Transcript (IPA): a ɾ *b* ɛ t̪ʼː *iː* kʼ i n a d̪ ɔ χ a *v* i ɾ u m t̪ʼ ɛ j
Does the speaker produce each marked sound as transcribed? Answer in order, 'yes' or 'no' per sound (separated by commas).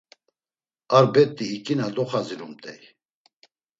yes, yes, no